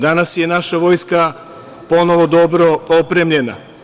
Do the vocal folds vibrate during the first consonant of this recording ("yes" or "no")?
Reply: yes